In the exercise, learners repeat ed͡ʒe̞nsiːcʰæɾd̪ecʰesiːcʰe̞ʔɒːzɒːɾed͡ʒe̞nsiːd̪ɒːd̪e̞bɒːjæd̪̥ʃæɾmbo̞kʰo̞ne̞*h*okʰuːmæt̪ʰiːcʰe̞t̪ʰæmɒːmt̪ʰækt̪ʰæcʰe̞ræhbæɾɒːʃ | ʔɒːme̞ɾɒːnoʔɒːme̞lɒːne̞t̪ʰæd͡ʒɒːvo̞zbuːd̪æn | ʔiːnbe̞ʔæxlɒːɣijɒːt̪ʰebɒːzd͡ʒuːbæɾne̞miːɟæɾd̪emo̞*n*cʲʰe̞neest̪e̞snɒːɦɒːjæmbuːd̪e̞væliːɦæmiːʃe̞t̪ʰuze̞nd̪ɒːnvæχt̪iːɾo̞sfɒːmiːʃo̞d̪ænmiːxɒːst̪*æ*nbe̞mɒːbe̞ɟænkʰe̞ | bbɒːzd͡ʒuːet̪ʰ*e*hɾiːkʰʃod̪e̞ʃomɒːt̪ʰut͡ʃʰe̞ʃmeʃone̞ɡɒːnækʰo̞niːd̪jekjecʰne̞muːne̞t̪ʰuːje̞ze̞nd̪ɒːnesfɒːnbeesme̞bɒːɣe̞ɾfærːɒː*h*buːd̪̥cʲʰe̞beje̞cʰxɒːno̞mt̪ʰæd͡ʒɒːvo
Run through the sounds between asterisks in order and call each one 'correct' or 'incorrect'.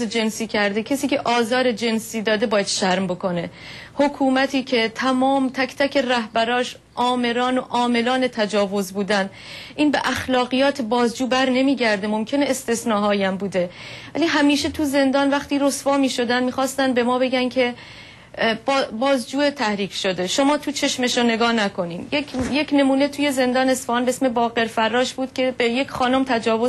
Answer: correct, incorrect: m, correct, incorrect: æ, incorrect: ʃ

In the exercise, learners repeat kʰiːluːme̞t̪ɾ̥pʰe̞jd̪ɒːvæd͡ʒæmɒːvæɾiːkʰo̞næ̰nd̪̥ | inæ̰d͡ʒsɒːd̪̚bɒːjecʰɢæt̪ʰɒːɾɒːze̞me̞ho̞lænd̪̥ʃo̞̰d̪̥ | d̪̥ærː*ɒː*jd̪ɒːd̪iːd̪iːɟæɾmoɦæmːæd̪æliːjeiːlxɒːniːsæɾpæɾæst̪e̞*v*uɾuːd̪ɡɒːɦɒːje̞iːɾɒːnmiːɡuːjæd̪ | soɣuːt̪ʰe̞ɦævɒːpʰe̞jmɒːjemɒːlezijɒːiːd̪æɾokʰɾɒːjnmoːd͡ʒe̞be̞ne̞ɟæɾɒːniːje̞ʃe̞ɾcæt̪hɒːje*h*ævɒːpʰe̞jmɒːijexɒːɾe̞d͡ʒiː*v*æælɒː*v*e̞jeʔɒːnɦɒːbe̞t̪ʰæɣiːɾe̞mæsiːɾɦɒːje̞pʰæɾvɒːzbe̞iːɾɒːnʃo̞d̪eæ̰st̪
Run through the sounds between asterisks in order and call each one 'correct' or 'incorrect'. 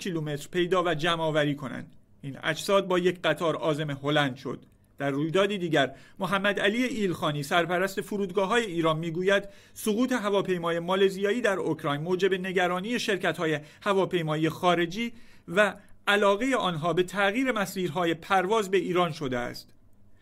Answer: incorrect: uː, incorrect: f, correct, correct, incorrect: ɣ

